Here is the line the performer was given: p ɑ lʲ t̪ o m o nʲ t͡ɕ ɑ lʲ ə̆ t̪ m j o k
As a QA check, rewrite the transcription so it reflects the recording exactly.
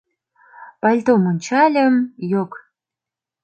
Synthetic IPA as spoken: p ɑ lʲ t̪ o m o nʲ t͡ɕ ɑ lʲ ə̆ m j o k